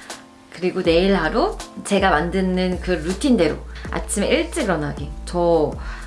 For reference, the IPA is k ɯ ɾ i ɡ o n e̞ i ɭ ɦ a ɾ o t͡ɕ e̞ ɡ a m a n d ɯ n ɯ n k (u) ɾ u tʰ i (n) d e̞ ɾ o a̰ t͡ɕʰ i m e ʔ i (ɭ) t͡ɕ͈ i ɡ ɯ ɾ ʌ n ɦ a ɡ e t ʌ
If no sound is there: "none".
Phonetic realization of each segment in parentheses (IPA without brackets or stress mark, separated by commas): ɯ, n, ɭ